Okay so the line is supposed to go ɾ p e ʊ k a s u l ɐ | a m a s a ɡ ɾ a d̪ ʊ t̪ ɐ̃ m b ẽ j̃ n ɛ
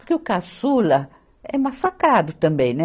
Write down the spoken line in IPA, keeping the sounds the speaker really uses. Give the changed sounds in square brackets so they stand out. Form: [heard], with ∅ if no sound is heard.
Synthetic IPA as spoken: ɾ [k] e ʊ k a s u l ɐ | [ɛ] m a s a [k] ɾ a d̪ ʊ t̪ ɐ̃ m b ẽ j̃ n ɛ